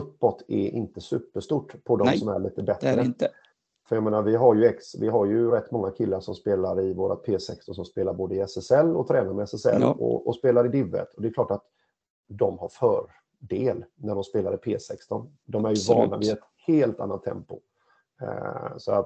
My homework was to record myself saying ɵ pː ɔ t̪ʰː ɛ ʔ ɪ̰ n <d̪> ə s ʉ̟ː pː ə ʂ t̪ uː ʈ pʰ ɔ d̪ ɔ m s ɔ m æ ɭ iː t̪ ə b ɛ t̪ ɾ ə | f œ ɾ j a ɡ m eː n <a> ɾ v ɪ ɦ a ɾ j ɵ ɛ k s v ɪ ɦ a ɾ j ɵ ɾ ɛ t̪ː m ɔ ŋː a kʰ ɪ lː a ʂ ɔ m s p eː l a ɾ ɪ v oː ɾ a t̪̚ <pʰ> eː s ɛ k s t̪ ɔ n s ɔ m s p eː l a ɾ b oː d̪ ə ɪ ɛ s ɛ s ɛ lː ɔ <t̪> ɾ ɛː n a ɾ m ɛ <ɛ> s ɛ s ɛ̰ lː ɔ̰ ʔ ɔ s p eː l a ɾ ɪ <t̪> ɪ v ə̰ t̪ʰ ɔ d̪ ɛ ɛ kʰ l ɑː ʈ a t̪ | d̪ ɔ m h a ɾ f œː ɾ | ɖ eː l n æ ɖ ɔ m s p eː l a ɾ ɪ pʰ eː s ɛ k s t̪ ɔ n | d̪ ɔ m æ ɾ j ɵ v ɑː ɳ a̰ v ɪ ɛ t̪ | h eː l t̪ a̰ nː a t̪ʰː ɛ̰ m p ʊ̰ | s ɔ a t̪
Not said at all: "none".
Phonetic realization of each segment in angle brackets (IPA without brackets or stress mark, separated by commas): t̪, a, pʰ, t̪ʰ, ɛ, d̪